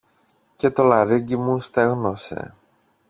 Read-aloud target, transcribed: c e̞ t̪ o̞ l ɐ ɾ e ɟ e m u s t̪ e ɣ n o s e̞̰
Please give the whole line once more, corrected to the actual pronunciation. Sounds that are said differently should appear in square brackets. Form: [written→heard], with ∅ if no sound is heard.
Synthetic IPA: c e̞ t̪ o̞ l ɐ ɾ [e→i] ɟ [e→i] m u s t̪ e ɣ n o s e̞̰